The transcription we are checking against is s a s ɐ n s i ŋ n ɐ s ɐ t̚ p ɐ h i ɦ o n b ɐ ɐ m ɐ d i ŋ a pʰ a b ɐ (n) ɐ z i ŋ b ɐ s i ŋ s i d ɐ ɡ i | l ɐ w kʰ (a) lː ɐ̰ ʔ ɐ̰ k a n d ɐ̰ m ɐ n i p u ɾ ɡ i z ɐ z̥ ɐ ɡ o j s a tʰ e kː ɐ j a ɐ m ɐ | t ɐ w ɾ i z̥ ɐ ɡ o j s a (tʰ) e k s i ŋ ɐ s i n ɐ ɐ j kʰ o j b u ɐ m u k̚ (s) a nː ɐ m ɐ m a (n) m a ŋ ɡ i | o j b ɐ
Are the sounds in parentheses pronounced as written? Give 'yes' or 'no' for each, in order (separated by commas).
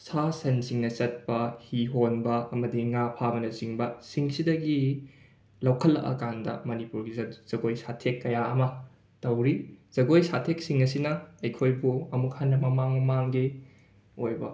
yes, no, yes, no, no